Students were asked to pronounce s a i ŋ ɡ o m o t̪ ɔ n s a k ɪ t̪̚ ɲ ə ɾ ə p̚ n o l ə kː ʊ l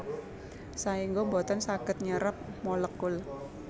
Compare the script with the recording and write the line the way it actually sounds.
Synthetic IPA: s a i ŋ ɡ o b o t̪ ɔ n s a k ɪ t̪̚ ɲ ə ɾ ə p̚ m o l ə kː ʊ l